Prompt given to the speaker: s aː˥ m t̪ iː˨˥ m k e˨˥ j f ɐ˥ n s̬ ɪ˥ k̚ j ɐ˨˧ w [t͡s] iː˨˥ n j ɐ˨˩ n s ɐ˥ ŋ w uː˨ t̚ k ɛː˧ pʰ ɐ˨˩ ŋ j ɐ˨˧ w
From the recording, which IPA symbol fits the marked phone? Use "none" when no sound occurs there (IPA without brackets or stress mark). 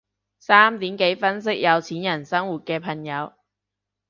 t͡sʰ